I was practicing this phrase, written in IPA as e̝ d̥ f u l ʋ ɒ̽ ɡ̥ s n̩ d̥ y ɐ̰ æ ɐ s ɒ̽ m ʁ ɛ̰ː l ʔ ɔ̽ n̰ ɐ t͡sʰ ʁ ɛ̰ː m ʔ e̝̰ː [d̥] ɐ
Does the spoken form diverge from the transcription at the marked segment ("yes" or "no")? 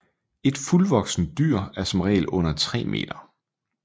no